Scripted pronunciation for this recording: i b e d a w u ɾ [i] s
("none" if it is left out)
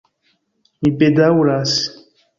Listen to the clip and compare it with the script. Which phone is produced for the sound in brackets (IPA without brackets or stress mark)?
a